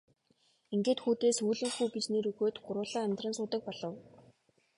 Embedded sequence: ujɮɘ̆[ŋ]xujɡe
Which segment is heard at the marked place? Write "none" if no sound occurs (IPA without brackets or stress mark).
ŋ